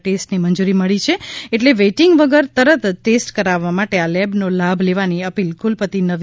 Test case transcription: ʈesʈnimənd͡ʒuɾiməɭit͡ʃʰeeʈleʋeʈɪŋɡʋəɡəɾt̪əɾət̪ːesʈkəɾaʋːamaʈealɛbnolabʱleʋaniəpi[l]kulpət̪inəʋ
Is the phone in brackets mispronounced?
no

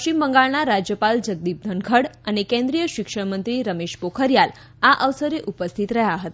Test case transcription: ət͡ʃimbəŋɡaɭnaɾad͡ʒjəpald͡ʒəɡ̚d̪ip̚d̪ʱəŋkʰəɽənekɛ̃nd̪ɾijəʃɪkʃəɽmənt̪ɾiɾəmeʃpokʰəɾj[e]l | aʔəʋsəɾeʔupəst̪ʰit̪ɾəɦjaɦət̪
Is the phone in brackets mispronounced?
yes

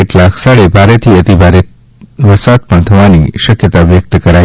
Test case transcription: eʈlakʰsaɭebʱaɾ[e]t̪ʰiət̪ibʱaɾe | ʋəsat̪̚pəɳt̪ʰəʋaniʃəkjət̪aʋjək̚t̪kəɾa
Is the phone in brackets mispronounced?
no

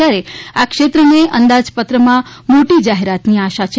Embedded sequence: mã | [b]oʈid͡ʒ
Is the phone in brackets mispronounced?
yes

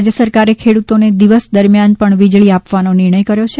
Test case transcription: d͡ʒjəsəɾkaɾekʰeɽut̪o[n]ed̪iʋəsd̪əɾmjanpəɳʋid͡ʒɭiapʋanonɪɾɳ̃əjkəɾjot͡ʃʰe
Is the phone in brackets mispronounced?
no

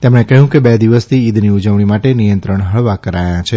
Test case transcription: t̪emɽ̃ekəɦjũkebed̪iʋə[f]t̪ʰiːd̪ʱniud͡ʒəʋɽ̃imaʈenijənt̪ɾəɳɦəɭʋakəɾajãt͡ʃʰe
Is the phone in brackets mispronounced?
yes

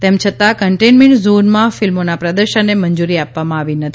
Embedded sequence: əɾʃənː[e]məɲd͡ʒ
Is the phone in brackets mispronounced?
no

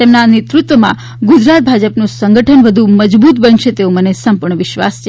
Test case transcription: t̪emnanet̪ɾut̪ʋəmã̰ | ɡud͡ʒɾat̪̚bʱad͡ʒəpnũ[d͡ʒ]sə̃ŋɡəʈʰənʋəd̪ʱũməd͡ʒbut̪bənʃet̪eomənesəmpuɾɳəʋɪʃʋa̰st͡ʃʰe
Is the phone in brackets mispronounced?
yes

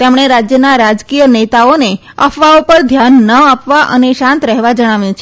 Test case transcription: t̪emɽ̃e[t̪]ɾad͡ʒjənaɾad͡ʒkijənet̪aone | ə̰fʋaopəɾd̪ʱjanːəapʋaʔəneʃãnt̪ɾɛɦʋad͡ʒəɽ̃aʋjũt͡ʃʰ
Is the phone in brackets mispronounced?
yes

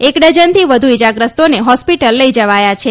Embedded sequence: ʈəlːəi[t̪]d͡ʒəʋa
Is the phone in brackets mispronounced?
yes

